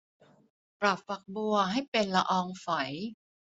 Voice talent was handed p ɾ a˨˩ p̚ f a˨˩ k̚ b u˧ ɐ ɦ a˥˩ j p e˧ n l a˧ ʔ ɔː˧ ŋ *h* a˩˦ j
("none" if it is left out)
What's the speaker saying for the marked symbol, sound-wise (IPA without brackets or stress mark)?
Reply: f